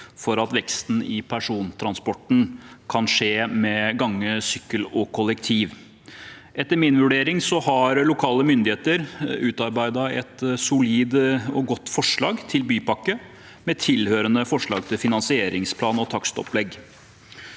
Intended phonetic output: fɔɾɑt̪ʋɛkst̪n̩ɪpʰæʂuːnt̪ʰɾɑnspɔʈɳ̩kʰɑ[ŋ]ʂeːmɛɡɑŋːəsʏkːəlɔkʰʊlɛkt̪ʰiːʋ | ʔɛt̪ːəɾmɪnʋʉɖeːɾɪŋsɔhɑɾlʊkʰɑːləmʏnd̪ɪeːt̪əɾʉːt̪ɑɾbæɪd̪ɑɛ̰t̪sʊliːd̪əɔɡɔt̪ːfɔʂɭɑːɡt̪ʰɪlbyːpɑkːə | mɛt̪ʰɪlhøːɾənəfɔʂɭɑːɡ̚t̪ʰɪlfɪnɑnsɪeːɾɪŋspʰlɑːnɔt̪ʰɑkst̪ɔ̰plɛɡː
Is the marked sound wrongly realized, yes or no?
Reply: yes